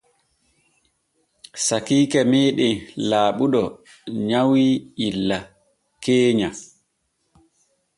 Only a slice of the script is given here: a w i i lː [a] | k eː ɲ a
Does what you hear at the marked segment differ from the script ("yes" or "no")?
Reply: no